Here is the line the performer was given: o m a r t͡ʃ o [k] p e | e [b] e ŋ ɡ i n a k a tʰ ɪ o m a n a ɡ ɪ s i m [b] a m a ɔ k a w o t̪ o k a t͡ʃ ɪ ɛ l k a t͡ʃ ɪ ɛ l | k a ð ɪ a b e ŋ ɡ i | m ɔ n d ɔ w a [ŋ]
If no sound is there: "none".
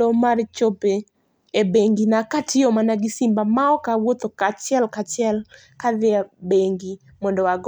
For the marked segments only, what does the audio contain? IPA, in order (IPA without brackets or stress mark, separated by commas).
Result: none, b, b, ɡ